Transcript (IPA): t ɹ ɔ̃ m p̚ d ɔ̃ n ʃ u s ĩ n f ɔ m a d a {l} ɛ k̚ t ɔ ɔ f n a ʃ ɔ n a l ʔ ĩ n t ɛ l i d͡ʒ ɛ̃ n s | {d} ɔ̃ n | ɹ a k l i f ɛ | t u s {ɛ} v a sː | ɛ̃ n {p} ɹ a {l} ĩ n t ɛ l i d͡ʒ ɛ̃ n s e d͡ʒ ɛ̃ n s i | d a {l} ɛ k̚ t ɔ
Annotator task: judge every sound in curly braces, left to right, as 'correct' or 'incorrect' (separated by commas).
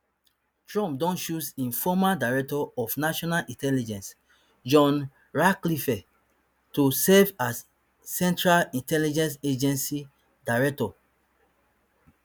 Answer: incorrect, incorrect, correct, incorrect, correct, incorrect